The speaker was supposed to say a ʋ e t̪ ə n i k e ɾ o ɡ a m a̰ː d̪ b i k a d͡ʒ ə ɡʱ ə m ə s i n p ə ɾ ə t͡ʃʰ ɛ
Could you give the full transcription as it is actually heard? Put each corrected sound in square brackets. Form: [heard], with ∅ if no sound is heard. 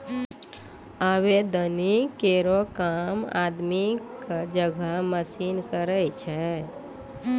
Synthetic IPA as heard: a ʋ e [d̪] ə n i k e ɾ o [k] a m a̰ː d̪ [m] i k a d͡ʒ ə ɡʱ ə m ə s i n [k] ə ɾ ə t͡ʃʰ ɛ